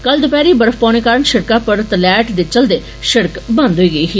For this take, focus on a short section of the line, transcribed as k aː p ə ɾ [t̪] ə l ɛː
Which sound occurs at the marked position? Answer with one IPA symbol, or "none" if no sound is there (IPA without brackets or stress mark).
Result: t̪